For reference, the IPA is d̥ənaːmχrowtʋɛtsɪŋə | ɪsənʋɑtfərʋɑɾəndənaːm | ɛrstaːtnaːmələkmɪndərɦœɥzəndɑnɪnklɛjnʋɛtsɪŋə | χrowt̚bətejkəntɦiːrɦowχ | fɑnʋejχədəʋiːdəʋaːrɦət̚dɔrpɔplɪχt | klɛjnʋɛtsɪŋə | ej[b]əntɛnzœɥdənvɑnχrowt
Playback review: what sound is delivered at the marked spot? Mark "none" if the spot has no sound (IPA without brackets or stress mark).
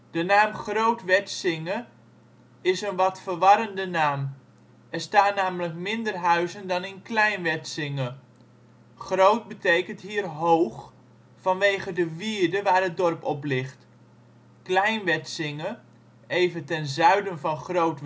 v